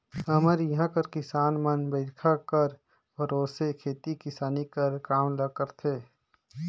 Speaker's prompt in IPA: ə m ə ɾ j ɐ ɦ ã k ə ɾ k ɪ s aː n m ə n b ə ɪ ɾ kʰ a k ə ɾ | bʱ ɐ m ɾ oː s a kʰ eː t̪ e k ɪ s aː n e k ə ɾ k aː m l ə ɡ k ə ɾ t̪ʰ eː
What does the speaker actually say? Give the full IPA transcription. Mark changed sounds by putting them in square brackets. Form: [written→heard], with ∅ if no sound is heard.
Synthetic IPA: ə m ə ɾ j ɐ ɦ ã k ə ɾ k ɪ s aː n m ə n b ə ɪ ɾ kʰ a k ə ɾ | bʱ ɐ [m→∅] ɾ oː s [a→e] kʰ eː t̪ [e→i] k ɪ s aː n [e→i] k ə ɾ k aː m l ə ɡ k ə ɾ t̪ʰ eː